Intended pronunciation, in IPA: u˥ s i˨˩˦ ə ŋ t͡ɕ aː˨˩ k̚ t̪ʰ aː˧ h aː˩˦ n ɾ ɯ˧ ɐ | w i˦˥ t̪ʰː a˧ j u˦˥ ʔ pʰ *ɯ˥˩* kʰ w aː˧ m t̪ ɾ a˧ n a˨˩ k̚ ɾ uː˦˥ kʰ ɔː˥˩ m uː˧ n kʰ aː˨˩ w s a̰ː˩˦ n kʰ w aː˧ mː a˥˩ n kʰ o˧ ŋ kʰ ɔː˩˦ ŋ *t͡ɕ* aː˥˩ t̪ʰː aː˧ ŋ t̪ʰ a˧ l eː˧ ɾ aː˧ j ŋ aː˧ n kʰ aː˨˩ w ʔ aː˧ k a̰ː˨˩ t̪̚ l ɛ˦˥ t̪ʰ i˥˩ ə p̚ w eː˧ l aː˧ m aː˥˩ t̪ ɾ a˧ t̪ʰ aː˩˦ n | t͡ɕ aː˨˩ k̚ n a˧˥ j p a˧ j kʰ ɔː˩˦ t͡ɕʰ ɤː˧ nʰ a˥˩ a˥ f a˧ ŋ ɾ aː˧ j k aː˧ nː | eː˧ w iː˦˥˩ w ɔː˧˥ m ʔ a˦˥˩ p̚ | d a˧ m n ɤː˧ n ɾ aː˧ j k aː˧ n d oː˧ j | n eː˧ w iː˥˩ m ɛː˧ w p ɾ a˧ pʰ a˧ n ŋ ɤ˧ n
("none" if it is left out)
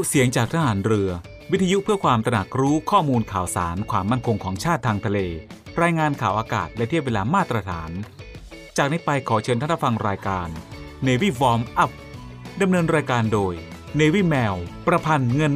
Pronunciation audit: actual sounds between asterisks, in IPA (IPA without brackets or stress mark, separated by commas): ɯ˥˩, t͡ɕʰ